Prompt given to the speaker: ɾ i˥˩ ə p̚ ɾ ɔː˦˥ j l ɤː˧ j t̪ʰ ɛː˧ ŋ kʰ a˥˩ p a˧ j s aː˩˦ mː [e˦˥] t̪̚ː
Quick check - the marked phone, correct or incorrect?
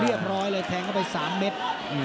correct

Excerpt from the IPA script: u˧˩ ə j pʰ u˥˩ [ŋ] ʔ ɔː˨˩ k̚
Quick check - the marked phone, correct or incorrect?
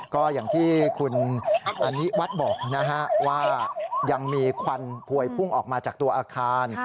correct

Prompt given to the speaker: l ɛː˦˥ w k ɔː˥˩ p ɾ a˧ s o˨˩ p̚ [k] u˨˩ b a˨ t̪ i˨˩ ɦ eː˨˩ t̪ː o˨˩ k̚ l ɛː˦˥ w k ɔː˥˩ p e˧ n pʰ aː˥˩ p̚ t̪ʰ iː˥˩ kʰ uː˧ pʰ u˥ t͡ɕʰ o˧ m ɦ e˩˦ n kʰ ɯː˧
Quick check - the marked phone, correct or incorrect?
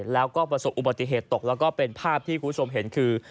incorrect: ʔ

